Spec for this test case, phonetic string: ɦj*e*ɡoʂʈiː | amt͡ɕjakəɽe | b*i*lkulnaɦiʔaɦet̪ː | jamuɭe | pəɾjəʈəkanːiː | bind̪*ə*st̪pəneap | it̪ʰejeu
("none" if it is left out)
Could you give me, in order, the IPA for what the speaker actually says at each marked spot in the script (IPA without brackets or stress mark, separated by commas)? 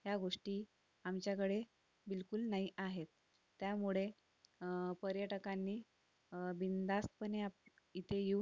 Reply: a, i, a